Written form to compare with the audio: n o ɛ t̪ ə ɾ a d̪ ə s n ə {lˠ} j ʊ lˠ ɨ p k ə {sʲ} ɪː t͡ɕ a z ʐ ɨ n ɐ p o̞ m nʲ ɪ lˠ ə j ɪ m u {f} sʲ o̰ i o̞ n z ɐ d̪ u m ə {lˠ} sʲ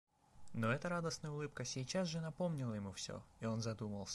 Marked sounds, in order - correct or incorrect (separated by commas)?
incorrect, correct, correct, correct